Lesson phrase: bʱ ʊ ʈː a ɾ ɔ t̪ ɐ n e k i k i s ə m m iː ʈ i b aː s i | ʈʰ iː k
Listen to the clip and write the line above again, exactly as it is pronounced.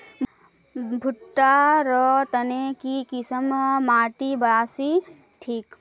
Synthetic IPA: bʱ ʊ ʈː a ɾ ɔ t̪ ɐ n e k i k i s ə m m aː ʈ i b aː s i | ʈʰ iː k